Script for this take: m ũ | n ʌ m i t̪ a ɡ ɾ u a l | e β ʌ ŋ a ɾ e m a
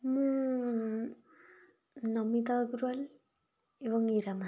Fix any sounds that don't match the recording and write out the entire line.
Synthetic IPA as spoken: m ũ | n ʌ m i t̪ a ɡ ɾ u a l | e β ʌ ŋ i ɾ a m a